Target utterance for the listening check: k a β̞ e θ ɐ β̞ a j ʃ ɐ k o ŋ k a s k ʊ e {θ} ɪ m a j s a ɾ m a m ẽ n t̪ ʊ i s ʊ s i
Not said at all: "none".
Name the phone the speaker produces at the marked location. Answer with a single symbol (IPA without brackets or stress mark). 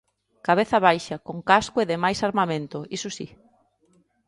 ð